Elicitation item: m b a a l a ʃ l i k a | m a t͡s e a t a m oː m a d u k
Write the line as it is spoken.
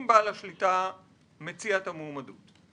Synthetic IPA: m b a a l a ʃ l i t a | m e t͡s i a t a m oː m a d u t